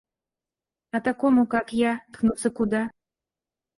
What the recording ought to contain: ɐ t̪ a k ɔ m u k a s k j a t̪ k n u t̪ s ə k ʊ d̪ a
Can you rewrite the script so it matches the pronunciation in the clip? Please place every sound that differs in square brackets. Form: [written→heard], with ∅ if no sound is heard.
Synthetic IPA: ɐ t̪ a k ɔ m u k a [s→∅] k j a t̪ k n u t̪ s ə k [ʊ→u] d̪ a